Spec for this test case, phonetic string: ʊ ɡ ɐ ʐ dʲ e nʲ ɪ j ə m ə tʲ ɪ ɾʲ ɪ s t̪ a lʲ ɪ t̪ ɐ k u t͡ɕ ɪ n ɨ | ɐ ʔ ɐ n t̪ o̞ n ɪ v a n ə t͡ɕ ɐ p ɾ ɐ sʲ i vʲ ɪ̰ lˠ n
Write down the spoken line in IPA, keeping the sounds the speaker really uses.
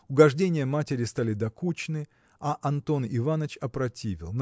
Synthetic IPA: ʊ ɡ ɐ ʐ dʲ e nʲ ɪ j ə m a tʲ ɪ ɾʲ ɪ s t̪ a lʲ ɪ d̪ ɐ k u t͡ɕ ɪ n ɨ | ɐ ʔ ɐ n t̪ o̞ n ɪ v a n ə t͡ɕ ɐ p ɾ ɐ tʲ i vʲ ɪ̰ lˠ n